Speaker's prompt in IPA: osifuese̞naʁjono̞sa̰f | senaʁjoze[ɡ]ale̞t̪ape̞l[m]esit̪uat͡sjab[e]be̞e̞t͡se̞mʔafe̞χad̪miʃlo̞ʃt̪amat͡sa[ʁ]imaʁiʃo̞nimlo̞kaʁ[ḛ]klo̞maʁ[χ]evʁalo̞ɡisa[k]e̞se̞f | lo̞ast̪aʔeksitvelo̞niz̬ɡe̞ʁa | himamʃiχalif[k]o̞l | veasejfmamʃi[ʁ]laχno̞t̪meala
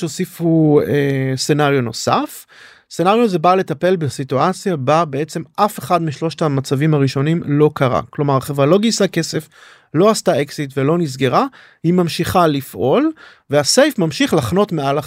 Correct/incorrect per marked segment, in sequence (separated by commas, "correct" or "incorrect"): incorrect, incorrect, incorrect, incorrect, incorrect, correct, correct, incorrect, incorrect